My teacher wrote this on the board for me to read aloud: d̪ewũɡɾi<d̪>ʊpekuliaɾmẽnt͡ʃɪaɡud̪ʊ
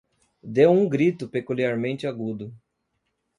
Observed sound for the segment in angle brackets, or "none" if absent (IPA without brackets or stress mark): t̪